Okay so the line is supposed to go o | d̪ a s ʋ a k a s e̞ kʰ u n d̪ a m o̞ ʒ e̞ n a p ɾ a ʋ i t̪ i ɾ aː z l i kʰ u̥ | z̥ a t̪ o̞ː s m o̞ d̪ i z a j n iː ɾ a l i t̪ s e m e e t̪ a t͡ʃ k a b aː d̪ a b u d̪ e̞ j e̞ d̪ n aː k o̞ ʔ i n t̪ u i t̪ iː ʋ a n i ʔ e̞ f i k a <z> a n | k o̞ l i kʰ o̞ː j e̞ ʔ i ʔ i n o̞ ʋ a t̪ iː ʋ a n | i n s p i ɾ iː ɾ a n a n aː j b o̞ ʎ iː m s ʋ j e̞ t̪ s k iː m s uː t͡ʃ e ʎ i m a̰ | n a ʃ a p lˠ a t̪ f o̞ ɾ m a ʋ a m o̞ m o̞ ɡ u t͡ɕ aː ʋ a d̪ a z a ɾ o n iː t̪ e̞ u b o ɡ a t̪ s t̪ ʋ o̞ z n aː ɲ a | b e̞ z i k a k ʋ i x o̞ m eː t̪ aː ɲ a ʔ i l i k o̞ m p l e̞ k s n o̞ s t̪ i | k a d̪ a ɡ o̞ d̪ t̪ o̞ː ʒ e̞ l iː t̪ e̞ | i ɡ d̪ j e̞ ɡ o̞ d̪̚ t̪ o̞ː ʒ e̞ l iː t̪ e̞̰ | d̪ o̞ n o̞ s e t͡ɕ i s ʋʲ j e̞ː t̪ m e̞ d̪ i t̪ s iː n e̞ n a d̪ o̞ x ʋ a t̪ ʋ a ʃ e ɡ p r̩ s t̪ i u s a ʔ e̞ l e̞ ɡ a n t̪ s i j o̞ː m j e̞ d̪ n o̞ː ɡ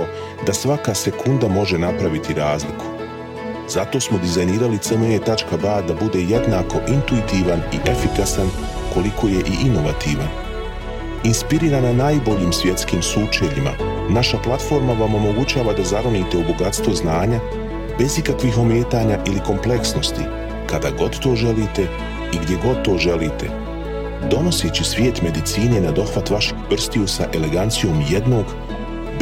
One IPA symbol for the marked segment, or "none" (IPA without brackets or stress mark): s